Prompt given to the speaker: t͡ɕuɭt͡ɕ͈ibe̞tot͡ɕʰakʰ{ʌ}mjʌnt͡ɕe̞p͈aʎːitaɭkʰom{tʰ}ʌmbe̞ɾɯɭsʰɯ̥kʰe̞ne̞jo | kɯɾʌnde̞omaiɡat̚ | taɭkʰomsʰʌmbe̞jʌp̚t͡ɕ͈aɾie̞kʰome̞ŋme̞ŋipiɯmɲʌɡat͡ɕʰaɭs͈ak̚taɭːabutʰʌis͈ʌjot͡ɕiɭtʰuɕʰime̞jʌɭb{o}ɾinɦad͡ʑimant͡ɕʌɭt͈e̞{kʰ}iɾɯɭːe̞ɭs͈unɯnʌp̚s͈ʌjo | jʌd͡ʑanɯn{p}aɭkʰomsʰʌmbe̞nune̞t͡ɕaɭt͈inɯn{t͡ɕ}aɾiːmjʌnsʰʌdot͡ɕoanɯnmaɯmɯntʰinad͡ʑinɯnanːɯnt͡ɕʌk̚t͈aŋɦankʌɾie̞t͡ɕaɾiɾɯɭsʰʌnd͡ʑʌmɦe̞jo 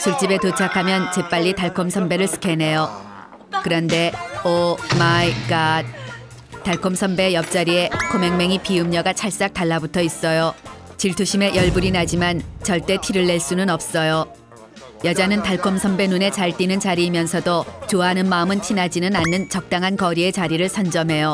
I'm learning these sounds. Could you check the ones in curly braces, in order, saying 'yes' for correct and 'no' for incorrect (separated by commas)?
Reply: no, no, no, no, no, yes